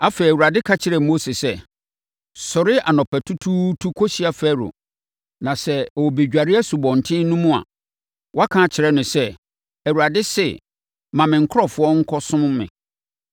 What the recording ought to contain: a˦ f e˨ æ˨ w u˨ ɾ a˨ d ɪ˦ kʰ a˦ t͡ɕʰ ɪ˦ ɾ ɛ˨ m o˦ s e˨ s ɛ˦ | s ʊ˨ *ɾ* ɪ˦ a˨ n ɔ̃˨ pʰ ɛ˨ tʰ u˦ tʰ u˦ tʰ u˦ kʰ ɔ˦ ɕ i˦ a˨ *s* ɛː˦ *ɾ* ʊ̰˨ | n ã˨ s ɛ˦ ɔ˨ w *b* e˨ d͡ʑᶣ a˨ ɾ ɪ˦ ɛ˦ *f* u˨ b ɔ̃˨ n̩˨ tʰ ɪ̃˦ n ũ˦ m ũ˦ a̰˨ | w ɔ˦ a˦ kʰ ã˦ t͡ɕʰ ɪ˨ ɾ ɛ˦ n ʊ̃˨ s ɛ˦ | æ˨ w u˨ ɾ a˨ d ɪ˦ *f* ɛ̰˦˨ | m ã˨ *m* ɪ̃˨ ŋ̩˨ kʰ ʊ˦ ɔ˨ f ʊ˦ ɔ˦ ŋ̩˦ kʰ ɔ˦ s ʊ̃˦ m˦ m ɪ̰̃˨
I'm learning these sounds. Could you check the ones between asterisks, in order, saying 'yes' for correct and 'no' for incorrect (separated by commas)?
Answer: yes, no, yes, yes, no, no, yes